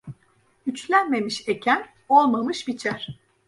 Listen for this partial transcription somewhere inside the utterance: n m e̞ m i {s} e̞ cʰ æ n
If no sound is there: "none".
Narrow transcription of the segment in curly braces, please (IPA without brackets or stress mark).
ʃ